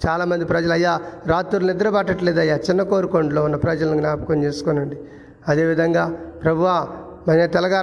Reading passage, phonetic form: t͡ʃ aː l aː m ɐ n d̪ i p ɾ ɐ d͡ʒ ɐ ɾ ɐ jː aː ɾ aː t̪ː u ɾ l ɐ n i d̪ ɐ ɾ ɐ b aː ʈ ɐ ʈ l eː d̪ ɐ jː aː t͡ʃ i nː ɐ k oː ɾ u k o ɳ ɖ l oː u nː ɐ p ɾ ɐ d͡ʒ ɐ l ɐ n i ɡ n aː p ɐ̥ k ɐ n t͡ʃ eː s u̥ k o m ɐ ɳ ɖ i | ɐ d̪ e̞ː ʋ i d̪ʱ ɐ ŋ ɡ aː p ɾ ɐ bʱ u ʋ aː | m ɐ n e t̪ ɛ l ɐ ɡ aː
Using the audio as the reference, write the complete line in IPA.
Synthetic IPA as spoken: t͡ʃ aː l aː m ɐ n d̪ i p ɾ ɐ d͡ʒ ɐ l ɐ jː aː ɾ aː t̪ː u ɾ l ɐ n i d̪ ɐ ɾ ɐ b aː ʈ ɐ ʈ l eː d̪ ɐ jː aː t͡ʃ i nː ɐ k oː ɾ u k o ɳ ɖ l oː u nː ɐ p ɾ ɐ d͡ʒ ɐ l ɐ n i ɡ n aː p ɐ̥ k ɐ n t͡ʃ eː s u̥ k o n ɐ ɳ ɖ i | ɐ d̪ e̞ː ʋ i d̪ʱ ɐ ŋ ɡ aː p ɾ ɐ bʱ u ʋ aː | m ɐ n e t̪ ɛ l ɐ ɡ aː